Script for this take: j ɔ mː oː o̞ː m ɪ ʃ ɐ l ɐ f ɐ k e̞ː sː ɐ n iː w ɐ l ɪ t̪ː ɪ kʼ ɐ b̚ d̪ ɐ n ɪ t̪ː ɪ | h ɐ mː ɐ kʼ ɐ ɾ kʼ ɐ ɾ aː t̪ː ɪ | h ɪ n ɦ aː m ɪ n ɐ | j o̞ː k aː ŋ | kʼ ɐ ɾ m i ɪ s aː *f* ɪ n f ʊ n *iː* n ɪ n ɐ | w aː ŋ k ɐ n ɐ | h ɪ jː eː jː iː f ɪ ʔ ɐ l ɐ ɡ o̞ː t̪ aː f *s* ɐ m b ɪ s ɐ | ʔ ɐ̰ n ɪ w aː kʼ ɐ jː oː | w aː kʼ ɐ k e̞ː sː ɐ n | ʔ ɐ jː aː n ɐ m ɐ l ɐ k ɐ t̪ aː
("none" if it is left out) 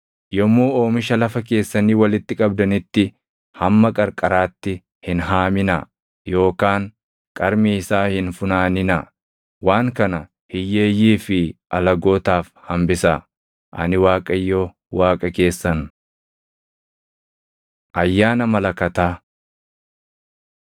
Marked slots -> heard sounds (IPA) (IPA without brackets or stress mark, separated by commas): h, aː, h